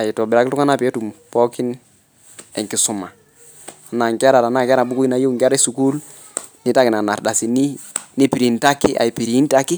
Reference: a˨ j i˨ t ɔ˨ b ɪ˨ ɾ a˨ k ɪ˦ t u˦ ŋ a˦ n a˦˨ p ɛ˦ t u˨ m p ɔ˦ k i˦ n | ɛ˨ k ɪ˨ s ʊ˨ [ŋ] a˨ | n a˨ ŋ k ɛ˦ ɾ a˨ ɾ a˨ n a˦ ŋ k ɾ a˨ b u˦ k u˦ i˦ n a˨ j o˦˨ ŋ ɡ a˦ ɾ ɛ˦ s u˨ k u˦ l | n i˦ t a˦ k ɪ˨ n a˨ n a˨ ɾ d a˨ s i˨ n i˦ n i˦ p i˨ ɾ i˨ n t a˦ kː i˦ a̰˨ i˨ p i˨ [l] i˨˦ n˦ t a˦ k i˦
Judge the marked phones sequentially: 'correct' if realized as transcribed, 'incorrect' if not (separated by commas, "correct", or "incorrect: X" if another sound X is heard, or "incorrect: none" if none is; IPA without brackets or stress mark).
incorrect: m, incorrect: ɾ